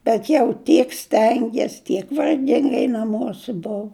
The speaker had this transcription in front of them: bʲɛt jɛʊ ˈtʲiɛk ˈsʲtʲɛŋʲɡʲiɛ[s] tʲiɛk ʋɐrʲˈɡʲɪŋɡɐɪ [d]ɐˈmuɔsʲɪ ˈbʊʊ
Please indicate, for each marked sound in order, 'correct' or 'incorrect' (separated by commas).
correct, incorrect